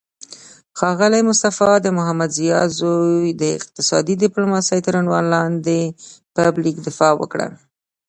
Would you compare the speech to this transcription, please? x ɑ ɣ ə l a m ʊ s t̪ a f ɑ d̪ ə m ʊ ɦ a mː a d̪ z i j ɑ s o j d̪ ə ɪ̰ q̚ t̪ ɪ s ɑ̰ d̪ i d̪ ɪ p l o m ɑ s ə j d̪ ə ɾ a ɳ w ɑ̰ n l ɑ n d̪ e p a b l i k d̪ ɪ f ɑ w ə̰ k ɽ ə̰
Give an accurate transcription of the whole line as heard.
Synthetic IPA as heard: x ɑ ɣ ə l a m ʊ s t̪ a f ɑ d̪ ə m ʊ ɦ a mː a d̪ z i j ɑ z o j d̪ ə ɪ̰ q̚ t̪ ɪ s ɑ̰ d̪ i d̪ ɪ p l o m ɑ s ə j t̪ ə ɾ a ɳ w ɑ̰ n l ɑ n d̪ e p a b l i k d̪ ɪ f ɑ w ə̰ k ɽ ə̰